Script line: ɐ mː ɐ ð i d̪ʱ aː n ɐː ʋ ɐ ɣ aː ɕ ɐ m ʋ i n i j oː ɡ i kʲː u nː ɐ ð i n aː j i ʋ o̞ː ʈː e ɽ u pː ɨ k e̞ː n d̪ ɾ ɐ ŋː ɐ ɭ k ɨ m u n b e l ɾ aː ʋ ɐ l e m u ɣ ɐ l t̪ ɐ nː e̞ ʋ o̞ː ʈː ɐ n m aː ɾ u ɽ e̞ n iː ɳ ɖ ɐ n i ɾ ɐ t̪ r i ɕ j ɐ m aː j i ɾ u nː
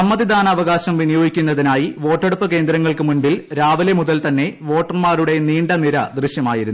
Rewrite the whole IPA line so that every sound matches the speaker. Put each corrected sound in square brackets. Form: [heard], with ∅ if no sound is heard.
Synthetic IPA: ɐ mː ɐ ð i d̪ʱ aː n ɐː ʋ ɐ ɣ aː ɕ ɐ m ʋ i n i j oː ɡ i kʲː u nː ɐ ð i n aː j i ʋ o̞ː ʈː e ɽ u pː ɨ k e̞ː n d̪ ɾ ɐ ŋː ɐ ɭ k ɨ m u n b [i] l ɾ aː ʋ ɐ l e m u [ð] ɐ l t̪ ɐ nː e̞ ʋ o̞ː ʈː ɐ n m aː ɾ u ɽ e̞ n iː ɳ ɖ ɐ n i ɾ ɐ [d̪] r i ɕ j ɐ m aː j i ɾ u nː